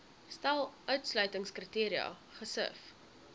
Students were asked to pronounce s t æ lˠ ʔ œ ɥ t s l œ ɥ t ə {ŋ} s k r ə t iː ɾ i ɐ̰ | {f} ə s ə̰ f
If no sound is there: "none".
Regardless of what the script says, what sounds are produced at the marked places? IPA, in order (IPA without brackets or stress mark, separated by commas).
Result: ŋ, χ